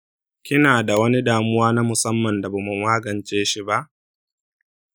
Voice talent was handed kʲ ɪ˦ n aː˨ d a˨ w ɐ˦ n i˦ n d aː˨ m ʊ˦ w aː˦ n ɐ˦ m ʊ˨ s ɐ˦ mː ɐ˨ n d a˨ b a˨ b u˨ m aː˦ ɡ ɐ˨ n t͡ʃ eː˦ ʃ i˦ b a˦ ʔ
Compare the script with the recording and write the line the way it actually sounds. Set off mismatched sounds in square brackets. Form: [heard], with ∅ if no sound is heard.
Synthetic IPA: kʲ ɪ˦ n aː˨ d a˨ w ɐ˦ n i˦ [∅] d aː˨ m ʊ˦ w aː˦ n [a˦] m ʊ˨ s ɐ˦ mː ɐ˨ n d a˨ b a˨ [m] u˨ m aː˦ ɡ ɐ˨ n t͡ʃ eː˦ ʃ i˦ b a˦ ʔ